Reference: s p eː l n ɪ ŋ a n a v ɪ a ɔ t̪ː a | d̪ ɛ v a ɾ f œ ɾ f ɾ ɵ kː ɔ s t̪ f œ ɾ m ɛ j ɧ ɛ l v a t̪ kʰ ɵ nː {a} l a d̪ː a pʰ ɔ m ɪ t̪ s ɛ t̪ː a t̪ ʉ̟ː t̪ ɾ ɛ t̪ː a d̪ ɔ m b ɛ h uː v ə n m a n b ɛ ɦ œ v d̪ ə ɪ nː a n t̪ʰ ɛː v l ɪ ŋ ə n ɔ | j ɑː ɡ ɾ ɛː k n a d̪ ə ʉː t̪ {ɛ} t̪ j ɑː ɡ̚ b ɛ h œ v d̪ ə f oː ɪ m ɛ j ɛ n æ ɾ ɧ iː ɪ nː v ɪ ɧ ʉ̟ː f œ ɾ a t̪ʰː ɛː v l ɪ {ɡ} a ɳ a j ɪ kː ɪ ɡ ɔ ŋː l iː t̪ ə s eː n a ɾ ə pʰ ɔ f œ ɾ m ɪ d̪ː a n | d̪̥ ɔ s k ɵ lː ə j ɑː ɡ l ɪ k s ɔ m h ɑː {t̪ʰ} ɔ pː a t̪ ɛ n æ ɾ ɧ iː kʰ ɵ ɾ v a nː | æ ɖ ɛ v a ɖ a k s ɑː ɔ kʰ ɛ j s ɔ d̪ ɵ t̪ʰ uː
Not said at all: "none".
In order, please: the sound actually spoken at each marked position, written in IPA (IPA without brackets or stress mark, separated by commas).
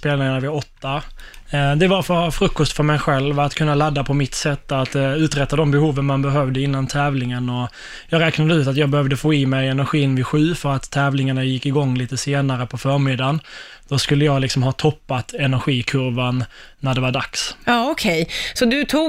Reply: a, a, ŋ, t̪ʰ